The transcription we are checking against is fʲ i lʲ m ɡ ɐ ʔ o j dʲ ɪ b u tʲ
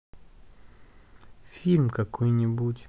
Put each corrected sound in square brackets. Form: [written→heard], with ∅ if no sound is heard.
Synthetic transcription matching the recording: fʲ i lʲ m [ɡ→k] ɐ [ʔ→k] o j [dʲ→nʲ] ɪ b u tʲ